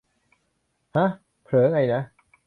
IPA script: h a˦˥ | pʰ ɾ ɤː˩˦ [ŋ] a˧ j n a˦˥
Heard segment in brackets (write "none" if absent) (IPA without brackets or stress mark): ŋ